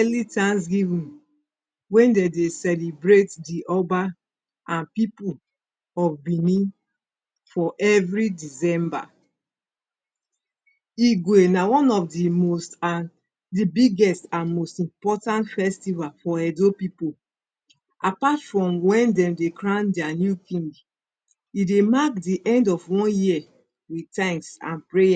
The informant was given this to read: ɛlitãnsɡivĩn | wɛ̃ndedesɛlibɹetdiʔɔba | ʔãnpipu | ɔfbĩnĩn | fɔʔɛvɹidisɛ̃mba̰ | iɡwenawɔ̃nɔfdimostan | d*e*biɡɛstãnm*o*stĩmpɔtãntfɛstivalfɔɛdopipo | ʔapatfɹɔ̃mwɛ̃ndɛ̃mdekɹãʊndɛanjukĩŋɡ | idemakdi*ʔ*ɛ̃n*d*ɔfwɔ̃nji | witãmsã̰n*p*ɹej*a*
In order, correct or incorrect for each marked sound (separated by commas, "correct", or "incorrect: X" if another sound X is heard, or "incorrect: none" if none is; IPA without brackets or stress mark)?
incorrect: i, correct, correct, correct, correct, correct